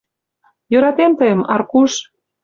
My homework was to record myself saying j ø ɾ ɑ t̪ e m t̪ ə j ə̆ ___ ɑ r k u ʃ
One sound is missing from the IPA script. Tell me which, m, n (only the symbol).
m